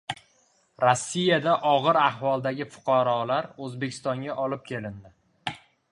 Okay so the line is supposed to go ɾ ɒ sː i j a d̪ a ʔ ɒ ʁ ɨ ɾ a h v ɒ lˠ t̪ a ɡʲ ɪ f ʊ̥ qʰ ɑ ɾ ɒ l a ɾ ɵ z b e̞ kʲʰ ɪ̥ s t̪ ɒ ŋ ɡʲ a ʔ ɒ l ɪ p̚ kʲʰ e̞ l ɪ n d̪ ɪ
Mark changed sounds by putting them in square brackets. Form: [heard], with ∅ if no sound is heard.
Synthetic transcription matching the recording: ɾ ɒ sː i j a d̪ a ʔ ɒ ʁ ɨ ɾ a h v ɒ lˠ [d̪] a ɡʲ ɪ f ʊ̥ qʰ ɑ ɾ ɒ l a ɾ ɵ z b e̞ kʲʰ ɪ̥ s t̪ ɒ ŋ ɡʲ a ʔ ɒ l ɪ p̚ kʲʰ e̞ l ɪ n d̪ ɪ